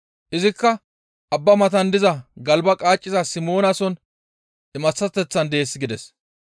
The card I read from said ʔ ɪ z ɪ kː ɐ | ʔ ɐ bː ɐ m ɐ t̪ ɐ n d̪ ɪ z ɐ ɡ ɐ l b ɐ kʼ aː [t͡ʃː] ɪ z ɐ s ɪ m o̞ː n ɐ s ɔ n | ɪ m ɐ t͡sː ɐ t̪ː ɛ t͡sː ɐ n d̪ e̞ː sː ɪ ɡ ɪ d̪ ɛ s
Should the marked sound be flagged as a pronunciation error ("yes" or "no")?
yes